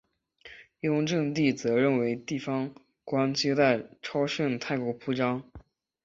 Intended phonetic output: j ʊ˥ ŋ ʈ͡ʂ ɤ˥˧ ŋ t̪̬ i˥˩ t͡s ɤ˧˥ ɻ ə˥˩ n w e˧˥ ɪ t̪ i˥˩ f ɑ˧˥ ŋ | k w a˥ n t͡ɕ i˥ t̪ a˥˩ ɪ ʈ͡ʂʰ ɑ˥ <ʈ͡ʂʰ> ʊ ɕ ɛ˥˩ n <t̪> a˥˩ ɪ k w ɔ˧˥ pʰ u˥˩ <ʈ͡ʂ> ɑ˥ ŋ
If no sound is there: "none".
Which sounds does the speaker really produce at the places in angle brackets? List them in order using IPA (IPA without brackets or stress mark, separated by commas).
none, t̪ʰ, ʈ͡ʂ